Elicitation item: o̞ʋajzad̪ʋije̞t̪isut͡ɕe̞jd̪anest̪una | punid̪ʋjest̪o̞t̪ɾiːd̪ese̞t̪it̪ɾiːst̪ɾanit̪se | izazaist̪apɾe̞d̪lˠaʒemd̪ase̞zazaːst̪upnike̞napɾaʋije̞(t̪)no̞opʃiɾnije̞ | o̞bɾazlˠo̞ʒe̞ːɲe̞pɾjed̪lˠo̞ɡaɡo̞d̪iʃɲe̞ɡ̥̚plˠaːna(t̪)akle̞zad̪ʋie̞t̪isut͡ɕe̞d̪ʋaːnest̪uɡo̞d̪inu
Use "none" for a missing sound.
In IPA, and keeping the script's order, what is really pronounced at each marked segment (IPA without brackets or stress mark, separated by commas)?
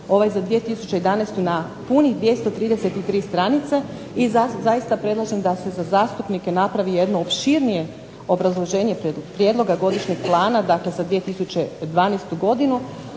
d̪, d̪